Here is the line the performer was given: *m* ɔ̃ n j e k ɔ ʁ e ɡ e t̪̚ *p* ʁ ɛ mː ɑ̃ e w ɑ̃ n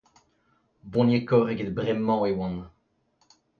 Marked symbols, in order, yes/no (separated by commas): no, no